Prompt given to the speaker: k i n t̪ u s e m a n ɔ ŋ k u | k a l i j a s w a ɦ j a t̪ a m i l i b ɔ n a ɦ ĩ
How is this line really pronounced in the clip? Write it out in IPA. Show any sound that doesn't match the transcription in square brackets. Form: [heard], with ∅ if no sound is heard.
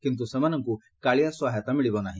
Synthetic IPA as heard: k i n t̪ u s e m a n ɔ ŋ k u | k a [ɭ] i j a s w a ɦ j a t̪ a m i [ɭ] i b ɔ n a ɦ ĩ